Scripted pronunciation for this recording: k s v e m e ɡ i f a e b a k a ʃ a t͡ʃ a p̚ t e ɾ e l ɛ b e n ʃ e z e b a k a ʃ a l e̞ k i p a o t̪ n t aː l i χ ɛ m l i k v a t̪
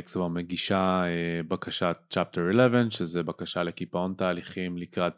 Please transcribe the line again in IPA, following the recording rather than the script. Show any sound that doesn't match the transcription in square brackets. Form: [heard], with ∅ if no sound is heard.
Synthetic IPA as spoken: k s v [a] m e ɡ i [ʃ] a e b a k a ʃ a t͡ʃ a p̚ t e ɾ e l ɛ [v] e n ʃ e z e b a k a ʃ a l e̞ k i p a o [∅] n t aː l i χ [i] m l i k [ʁ] a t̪